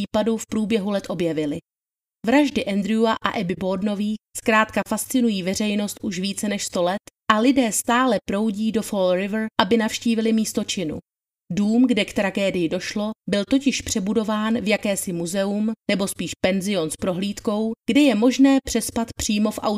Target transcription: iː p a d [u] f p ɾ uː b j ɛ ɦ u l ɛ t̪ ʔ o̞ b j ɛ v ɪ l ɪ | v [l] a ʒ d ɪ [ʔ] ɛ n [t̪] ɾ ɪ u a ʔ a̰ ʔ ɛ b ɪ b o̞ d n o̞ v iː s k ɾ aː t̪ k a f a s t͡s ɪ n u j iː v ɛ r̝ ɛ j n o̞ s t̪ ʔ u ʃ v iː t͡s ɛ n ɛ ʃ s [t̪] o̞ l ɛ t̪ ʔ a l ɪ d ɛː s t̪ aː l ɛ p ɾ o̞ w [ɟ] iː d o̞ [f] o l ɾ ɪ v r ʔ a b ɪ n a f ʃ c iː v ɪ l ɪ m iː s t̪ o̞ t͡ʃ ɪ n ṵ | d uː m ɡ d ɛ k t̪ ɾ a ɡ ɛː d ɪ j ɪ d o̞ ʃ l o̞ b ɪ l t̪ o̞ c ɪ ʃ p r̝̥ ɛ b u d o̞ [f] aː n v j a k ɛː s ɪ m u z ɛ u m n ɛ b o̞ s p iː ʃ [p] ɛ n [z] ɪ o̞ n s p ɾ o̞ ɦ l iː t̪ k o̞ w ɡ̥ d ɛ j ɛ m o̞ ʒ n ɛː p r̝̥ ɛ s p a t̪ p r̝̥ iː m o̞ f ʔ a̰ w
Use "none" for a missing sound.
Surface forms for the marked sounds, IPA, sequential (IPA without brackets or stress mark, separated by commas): u, ɾ, ʔ, d̪, t̪, ɟ, f, v, p, z